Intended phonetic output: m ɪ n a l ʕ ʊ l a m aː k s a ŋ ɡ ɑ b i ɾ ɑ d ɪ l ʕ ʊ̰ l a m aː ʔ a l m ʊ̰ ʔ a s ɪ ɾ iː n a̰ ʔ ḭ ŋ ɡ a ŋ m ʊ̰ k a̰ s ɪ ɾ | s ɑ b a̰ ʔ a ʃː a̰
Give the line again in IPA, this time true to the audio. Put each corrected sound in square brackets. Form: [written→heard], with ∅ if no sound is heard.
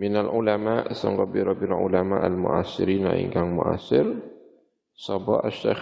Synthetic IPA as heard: m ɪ n a l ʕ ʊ l a m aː [k→ʔ] s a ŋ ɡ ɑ b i ɾ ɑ [d→b] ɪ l ʕ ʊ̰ l a m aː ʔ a l m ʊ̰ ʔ a s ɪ ɾ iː n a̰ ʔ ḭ ŋ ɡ a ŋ m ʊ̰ [k→ʔ] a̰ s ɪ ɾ | s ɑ b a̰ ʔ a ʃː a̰